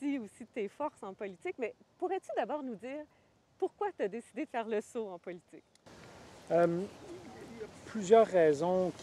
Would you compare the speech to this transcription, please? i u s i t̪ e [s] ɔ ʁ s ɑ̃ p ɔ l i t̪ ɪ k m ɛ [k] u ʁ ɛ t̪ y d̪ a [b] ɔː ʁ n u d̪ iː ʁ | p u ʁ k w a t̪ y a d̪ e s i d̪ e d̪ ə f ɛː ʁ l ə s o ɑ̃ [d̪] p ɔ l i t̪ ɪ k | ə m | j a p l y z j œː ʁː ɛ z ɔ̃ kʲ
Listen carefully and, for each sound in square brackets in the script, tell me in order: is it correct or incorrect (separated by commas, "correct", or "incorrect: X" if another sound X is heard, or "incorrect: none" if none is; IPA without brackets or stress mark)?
incorrect: f, incorrect: p, correct, incorrect: none